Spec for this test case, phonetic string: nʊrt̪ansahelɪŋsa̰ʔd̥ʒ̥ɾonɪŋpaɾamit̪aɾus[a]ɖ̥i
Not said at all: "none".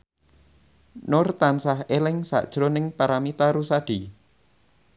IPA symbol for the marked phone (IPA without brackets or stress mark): a